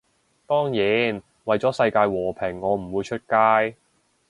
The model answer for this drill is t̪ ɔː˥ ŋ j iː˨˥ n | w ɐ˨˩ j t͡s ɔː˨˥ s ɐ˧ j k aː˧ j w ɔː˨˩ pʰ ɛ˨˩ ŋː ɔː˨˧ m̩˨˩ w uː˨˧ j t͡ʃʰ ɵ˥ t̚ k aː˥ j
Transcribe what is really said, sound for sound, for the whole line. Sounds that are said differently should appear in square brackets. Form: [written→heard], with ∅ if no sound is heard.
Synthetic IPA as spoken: t̪ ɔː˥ ŋ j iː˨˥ n | w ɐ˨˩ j t͡s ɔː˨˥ s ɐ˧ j k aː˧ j w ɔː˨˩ pʰ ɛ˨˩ ŋː ɔː˨˧ m̩˨˩ w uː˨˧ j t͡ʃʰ ɵ˥ t̚ k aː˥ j